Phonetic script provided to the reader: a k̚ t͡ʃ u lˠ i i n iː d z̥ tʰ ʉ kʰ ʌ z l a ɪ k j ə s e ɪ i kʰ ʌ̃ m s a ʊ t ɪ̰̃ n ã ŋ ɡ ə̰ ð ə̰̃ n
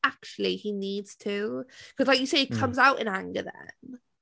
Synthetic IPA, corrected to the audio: a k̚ t͡ʃ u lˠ i i n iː d z̥ tʰ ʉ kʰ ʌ z l a ɪ k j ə s e ɪ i kʰ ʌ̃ m z a ʊ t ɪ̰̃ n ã ŋ ɡ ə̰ ð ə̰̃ n